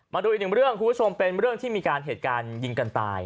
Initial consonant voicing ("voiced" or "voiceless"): voiced